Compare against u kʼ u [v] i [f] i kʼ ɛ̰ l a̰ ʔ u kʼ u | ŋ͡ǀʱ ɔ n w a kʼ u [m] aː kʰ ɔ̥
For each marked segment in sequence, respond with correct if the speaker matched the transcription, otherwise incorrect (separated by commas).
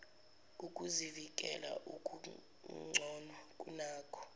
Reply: incorrect, incorrect, incorrect